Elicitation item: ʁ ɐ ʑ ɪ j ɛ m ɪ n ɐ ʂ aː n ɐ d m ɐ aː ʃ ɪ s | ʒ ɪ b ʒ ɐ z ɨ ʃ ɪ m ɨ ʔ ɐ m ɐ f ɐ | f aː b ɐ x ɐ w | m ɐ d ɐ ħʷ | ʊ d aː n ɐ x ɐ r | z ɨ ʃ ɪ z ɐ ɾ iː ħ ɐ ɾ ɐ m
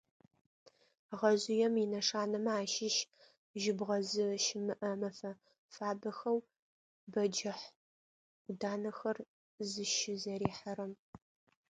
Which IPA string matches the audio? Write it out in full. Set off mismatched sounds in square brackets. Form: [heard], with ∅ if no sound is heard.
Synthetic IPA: ʁ ɐ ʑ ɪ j ɛ m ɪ n ɐ ʂ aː n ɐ [∅] m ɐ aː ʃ ɪ [ʃ] | ʒ ɪ b [ʁ] ɐ z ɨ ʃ ɪ m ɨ ʔ ɐ m ɐ f ɐ | f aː b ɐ x ɐ w | [b] ɐ [d͡ʒ] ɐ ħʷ | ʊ d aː n ɐ x ɐ r | z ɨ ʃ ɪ z ɐ ɾ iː ħ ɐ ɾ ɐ m